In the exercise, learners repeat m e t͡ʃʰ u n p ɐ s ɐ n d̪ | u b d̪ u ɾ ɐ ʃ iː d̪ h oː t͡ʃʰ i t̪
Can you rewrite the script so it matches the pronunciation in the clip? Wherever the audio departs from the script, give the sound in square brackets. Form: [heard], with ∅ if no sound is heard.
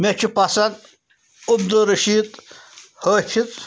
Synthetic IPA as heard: m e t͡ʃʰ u [∅] p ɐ s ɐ n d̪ | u b d̪ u ɾ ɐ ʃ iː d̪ h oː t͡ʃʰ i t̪

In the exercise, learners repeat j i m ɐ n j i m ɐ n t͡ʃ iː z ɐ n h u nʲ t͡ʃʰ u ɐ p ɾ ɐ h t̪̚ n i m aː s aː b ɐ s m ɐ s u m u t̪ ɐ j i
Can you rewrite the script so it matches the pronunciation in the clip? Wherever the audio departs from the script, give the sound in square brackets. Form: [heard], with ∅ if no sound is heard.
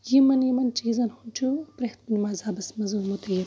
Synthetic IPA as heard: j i m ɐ n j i m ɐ n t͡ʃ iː z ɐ n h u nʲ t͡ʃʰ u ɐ p ɾ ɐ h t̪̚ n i m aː [z] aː b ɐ s m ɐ [z] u m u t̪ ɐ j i

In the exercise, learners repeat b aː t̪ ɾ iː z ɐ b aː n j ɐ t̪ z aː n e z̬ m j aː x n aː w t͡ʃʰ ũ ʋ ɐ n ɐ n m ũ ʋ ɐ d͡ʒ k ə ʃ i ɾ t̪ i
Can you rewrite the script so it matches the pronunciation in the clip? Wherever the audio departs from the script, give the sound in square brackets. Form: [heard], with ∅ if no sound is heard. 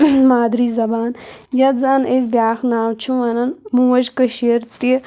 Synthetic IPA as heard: [m] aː [d̪] ɾ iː z ɐ b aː n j ɐ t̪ z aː n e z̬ [b] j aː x n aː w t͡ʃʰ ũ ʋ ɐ n ɐ n m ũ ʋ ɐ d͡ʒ k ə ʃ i ɾ t̪ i

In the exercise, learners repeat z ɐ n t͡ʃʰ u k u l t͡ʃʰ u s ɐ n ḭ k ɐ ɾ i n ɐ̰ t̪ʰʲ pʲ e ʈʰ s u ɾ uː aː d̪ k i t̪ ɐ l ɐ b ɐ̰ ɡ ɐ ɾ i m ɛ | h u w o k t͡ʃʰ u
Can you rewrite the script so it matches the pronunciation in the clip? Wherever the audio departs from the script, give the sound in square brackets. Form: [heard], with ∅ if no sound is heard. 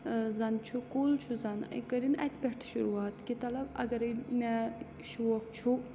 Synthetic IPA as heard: z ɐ n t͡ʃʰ u k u l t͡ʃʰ u [z] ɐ n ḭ k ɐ ɾ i n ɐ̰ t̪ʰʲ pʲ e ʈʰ [ʃ] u ɾ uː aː [t̪] k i t̪ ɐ l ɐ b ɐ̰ ɡ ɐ ɾ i m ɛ | [ʃ] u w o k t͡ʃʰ u

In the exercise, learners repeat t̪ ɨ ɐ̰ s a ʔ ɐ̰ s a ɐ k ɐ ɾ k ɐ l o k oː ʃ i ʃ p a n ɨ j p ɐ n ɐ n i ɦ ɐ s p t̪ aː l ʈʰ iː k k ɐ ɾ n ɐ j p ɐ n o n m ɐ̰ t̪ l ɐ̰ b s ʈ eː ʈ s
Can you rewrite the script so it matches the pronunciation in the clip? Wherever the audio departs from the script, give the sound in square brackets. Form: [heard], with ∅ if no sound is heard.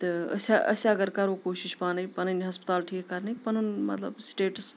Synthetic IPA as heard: t̪ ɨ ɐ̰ s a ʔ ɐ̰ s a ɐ [ɡ] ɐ ɾ k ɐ [ɾ] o k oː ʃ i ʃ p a n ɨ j p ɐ n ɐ n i ɦ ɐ s p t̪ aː l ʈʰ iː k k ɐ ɾ n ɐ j p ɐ n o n m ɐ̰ t̪ l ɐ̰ b s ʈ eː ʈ s

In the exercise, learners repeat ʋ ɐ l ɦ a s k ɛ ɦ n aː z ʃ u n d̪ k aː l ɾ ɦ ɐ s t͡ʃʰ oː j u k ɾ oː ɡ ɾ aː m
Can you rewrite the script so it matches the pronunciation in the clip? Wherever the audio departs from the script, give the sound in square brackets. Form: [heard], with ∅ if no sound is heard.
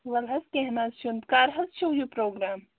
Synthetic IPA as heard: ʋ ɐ l ɦ [ɐ] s k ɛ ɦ n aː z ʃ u n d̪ k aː [∅] ɾ ɦ ɐ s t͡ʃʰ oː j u [p] ɾ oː ɡ ɾ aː m

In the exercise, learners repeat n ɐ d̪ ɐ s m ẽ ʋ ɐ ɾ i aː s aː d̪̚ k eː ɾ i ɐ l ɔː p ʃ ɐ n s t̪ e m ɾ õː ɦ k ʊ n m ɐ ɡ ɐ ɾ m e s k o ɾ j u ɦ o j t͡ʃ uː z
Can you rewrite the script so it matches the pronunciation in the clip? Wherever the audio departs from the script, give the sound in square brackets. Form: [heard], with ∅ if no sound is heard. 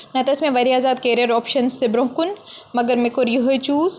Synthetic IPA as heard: n ɐ [t̪] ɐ s m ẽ ʋ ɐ ɾ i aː [z] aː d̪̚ k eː ɾ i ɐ [ɾ] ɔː p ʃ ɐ n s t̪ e [b] ɾ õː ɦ k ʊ n m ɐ ɡ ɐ ɾ m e [∅] k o ɾ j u ɦ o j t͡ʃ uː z

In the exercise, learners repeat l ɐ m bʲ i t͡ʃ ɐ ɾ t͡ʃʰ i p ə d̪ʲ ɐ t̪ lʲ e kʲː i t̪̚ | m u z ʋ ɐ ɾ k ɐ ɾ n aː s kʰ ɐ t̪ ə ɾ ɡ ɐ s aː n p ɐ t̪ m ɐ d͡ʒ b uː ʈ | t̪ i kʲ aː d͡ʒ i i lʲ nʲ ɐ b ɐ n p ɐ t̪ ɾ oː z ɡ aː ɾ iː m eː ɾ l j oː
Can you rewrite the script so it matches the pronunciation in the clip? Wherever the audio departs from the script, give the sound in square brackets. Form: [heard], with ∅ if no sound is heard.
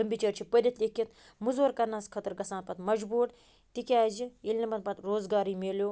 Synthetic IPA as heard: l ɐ m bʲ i t͡ʃ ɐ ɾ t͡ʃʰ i p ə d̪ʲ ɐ t̪ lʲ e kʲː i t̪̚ | m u z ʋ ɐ ɾ k ɐ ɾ n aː s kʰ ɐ t̪ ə ɾ ɡ ɐ s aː n p ɐ t̪ m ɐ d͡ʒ b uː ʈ | t̪ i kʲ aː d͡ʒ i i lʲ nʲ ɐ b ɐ n p ɐ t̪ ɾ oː z ɡ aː ɾ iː m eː [∅] l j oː

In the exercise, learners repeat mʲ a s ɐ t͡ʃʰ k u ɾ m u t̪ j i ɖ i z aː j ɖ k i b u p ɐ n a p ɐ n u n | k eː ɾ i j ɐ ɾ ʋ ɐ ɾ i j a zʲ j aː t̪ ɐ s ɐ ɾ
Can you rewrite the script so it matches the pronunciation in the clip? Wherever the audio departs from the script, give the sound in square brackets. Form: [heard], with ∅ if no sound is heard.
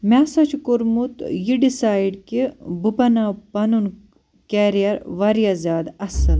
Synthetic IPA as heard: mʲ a s ɐ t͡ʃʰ k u ɾ m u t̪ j i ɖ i [s] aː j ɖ k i b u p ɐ n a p ɐ n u n | k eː ɾ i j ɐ ɾ ʋ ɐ ɾ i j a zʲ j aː [d̪] ɐ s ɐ [l]

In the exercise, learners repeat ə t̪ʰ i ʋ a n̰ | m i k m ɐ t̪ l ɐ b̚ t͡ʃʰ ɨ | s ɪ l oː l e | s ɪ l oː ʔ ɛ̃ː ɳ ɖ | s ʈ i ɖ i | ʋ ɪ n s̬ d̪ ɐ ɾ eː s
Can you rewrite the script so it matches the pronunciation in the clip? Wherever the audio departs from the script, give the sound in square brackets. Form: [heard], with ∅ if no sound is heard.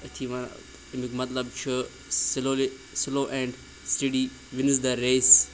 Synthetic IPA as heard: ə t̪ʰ i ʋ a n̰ | m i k m ɐ t̪ l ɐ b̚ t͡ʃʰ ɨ | s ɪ l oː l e | s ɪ l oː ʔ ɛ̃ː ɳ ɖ | s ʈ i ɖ i | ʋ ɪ n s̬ d̪ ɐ ɾ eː s

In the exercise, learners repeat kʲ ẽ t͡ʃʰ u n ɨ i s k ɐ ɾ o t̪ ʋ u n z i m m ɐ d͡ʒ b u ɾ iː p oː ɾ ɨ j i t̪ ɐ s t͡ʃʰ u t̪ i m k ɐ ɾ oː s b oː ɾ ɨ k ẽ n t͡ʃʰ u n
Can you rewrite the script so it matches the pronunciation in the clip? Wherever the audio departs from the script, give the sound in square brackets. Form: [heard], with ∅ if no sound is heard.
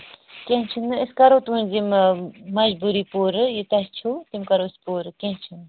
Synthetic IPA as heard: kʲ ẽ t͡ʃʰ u n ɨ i s k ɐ ɾ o t̪ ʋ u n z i m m ɐ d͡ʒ b u ɾ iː p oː ɾ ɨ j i t̪ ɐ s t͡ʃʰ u t̪ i m k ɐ ɾ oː s [p] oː ɾ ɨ k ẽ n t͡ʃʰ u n

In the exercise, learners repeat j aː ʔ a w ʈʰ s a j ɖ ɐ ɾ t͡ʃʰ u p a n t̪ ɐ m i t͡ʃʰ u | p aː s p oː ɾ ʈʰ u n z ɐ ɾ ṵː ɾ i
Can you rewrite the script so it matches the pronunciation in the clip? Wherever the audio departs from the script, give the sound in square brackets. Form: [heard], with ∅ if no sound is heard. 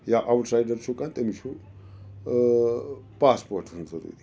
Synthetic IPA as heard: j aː ʔ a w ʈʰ s a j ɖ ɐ ɾ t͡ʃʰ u [k] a n t̪ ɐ m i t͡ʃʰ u | p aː s p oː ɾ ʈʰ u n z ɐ ɾ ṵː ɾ i

